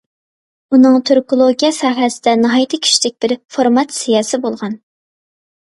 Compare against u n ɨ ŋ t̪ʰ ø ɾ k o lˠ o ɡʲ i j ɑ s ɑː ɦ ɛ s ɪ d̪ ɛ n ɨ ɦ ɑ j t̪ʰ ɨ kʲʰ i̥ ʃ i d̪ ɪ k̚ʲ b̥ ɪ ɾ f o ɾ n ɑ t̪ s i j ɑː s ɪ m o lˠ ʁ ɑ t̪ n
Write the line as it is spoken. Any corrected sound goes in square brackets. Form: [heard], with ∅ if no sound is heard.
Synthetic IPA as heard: u n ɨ ŋ t̪ʰ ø ɾ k o lˠ o ɡʲ i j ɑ s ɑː ɦ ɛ s ɪ d̪ ɛ n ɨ ɦ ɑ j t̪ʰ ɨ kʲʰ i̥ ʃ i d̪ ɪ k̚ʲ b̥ ɪ ɾ f o ɾ [m] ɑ t̪ s i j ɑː s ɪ [b] o lˠ ʁ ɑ [∅] n